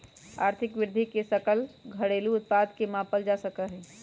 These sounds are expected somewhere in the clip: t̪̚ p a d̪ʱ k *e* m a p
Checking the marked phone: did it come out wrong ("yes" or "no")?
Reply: no